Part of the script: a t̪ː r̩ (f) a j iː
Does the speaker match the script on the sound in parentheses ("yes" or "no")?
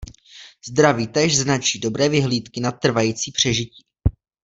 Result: no